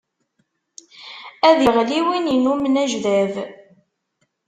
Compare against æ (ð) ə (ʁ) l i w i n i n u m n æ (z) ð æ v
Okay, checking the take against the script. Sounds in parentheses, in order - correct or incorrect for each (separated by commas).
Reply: correct, correct, incorrect